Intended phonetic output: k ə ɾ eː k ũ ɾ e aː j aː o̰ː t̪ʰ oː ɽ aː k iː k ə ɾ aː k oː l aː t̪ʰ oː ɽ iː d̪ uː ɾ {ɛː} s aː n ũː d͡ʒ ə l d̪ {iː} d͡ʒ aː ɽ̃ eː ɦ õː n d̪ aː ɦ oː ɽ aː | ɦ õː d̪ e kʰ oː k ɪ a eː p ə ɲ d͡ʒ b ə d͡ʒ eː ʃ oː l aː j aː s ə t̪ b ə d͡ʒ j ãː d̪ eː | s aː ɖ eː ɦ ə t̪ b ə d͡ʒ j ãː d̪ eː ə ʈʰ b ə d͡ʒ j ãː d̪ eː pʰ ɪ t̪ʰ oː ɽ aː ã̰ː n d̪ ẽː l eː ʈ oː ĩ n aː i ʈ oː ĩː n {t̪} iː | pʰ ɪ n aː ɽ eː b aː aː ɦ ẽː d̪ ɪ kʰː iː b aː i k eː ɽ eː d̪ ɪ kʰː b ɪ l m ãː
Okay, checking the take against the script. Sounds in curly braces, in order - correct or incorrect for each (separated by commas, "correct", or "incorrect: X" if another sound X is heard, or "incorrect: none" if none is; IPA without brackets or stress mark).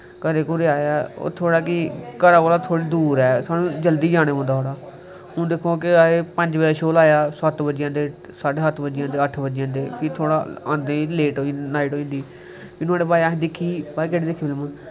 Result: correct, correct, incorrect: d̪